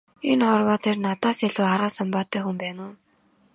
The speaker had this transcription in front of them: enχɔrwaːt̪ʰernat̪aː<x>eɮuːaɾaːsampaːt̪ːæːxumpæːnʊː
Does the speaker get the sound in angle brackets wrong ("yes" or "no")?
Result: yes